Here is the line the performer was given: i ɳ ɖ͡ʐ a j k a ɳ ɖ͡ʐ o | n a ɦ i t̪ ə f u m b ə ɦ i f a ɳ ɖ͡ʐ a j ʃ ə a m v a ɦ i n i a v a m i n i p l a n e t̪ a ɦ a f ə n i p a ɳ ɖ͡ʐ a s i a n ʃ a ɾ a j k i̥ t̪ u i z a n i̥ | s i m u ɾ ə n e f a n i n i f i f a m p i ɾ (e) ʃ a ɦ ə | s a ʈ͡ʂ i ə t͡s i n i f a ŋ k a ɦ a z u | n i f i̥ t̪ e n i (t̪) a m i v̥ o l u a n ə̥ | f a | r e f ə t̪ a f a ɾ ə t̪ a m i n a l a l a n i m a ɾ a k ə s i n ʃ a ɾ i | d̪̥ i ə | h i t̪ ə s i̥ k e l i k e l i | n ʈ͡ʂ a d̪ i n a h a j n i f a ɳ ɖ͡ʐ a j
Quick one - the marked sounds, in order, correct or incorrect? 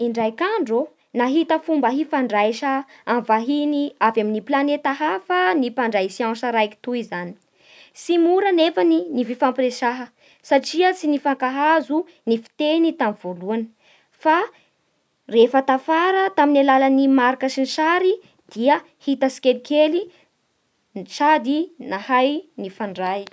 correct, correct

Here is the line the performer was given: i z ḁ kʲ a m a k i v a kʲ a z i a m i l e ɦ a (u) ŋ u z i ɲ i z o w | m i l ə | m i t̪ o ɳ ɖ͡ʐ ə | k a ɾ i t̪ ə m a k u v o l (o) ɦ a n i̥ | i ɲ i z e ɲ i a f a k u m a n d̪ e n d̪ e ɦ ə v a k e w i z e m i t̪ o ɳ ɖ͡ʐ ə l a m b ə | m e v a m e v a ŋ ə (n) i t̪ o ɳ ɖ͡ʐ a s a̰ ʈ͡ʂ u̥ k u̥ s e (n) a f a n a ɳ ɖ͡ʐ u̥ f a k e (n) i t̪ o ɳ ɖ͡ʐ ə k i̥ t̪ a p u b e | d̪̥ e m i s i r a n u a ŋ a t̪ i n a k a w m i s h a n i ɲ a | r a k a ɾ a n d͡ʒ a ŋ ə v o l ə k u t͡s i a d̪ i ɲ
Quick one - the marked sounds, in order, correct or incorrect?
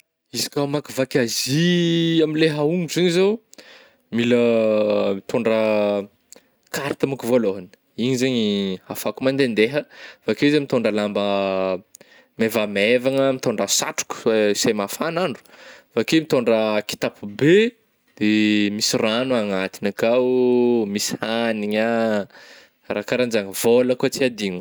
correct, correct, incorrect: m, incorrect: m, incorrect: m

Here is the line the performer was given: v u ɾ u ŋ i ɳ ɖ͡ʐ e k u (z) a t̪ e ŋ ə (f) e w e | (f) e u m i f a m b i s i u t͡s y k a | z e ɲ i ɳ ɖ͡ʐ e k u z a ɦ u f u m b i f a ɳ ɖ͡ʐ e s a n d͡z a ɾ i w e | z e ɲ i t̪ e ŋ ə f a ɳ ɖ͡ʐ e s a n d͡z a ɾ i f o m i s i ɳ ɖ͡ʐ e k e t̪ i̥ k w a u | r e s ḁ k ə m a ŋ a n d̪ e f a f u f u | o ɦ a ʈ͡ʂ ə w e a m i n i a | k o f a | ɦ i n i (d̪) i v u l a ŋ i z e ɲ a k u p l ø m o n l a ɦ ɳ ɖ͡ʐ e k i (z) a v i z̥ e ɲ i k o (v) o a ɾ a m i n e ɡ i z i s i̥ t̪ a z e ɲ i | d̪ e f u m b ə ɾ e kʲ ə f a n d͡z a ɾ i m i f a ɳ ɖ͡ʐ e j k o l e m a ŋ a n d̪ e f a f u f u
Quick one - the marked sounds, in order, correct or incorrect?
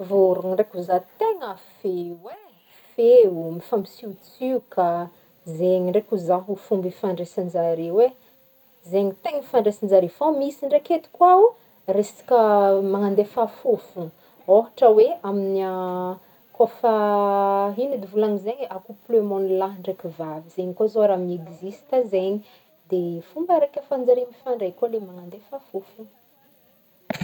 correct, correct, correct, correct, incorrect: v, incorrect: z

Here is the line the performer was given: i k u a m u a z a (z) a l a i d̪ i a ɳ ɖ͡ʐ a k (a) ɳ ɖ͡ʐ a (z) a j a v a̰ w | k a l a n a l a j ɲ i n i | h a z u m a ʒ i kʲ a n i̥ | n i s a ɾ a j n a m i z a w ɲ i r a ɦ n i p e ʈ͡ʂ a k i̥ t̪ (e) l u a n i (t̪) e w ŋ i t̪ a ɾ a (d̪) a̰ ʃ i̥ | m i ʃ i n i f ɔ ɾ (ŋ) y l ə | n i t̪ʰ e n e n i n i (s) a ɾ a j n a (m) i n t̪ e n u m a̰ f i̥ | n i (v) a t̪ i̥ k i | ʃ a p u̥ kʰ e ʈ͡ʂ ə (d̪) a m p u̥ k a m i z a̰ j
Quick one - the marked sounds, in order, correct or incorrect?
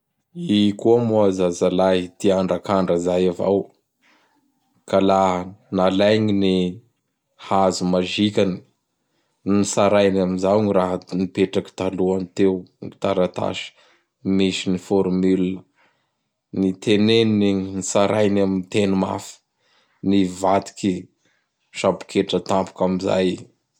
correct, correct, correct, incorrect: a, correct, incorrect: t̪, incorrect: m, correct, correct, correct, incorrect: t̪

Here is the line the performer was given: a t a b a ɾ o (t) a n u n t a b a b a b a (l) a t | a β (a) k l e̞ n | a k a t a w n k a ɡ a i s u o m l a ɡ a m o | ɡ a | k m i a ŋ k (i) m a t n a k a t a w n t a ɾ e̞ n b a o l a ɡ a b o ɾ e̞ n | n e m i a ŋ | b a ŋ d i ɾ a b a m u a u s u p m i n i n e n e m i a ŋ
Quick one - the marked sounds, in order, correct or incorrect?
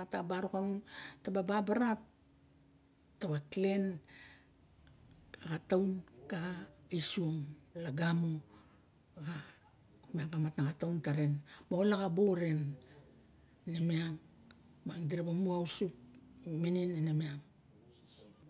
incorrect: k, incorrect: ɾ, correct, incorrect: a

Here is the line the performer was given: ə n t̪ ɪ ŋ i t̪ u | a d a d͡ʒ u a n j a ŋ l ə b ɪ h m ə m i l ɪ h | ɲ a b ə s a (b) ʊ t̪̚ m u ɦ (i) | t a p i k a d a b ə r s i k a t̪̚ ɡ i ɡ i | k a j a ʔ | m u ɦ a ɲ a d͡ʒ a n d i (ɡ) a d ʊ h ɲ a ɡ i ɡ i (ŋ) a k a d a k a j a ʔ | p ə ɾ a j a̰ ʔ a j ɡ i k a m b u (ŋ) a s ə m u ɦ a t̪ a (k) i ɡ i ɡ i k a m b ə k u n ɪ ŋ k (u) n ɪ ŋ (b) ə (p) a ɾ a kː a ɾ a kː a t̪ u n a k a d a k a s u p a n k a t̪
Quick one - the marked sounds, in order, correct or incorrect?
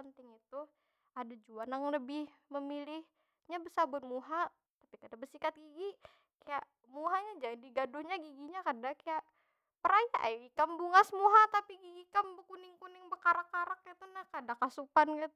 correct, incorrect: a, correct, incorrect: ɲ, correct, incorrect: p, correct, correct, incorrect: k

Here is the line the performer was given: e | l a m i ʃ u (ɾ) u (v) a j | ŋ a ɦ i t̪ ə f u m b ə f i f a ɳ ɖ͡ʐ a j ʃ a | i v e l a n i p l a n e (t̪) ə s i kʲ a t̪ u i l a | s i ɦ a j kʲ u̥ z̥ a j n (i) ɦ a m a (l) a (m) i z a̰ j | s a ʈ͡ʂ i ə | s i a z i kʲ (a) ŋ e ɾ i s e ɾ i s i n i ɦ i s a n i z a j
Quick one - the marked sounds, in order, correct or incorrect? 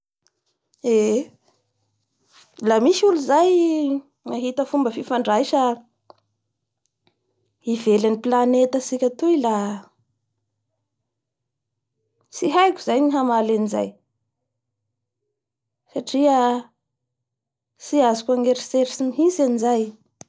incorrect: l, incorrect: z, correct, correct, correct, incorrect: n, correct

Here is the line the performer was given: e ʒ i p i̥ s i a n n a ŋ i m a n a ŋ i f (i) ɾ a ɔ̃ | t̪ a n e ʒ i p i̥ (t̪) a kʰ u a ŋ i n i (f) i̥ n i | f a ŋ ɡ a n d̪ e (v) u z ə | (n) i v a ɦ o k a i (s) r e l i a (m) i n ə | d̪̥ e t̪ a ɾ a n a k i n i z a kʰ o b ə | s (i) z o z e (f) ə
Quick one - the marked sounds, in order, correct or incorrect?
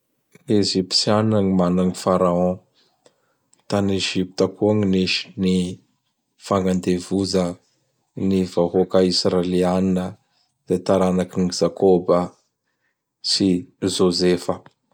incorrect: a, correct, incorrect: ʃ, correct, correct, correct, incorrect: n, correct, correct

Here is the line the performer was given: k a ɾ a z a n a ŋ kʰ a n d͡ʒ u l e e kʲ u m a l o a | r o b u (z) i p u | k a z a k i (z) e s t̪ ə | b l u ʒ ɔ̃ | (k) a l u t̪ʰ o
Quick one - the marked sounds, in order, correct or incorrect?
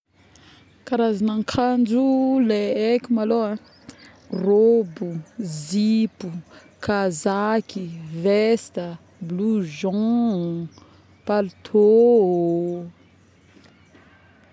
correct, incorrect: v, incorrect: p

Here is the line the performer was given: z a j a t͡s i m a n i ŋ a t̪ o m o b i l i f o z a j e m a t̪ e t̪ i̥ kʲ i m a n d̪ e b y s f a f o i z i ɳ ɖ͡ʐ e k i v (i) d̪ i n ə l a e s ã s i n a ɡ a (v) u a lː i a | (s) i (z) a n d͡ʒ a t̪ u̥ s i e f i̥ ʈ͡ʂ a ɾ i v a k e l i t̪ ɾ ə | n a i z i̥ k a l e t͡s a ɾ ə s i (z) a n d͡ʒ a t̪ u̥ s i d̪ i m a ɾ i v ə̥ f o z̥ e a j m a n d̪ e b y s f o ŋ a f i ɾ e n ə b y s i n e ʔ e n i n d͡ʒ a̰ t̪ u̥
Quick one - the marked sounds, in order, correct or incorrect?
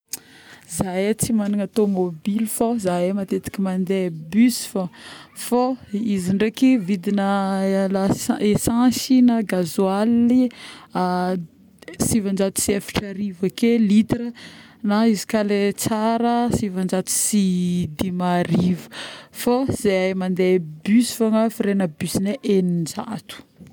correct, incorrect: z, correct, incorrect: v, incorrect: v

